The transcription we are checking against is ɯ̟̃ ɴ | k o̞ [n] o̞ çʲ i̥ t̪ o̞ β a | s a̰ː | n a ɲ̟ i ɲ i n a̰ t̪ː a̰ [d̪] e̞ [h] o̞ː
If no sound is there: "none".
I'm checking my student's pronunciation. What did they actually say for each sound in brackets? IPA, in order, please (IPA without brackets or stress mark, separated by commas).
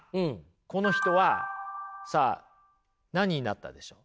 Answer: n, d̪, ɕ